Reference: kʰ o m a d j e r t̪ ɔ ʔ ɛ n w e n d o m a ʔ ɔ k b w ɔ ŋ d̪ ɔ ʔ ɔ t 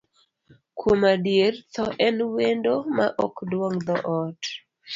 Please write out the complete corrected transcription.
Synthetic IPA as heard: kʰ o m a d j e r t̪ ɔ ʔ ɛ n w e n d o m a ʔ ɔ k d w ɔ ŋ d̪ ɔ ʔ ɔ t